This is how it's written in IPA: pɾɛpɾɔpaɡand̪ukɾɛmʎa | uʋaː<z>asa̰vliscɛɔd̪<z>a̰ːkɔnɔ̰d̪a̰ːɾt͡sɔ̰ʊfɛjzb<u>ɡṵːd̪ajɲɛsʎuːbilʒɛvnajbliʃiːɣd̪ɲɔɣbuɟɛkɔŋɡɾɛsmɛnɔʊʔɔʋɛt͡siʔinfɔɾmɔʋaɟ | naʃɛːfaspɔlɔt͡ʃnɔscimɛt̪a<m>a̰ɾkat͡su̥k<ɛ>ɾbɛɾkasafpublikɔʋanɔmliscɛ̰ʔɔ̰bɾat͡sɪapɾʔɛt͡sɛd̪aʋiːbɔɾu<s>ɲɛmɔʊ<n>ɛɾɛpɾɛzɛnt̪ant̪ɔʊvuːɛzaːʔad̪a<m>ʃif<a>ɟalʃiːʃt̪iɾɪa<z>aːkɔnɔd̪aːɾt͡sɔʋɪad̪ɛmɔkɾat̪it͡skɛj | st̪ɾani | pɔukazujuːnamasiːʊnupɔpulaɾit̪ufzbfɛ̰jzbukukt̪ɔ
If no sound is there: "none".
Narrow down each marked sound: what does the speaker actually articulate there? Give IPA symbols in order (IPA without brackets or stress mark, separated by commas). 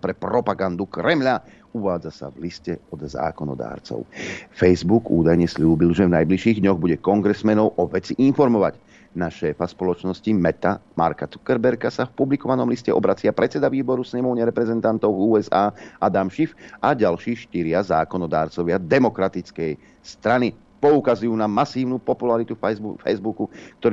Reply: d͡z, z, u, m, ɛ, s, ɲ, m, a, z